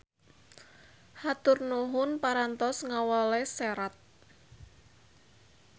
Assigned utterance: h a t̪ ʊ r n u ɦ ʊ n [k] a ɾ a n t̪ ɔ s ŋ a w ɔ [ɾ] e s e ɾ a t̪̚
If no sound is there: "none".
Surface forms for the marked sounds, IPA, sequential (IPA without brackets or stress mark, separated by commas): p, l